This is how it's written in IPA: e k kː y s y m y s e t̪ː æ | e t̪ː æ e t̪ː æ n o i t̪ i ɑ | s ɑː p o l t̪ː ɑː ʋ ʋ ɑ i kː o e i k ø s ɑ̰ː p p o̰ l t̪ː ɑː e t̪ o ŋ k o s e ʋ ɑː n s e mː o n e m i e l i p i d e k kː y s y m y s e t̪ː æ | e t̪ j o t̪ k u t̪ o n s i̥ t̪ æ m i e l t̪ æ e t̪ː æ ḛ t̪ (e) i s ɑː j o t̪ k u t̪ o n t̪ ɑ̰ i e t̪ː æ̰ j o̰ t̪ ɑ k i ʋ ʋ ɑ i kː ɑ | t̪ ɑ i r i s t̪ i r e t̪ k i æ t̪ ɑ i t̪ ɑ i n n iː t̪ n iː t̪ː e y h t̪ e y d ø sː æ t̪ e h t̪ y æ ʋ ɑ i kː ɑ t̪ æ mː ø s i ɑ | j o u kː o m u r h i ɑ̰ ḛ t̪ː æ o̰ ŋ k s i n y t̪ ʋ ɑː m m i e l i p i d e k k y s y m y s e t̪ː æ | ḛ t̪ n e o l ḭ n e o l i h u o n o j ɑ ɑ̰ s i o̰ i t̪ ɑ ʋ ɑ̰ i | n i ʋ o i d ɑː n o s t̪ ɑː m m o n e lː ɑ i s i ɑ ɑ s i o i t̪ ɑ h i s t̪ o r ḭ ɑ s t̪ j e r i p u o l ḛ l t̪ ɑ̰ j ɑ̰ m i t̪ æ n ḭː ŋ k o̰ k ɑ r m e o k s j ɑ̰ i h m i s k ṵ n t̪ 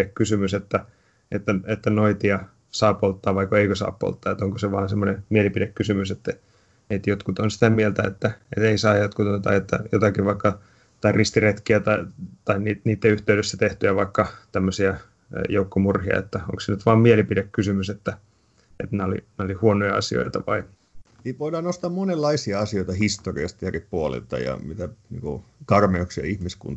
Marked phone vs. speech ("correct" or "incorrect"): correct